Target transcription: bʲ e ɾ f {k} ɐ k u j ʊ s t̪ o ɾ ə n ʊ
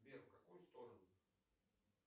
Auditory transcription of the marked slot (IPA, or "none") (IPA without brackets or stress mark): k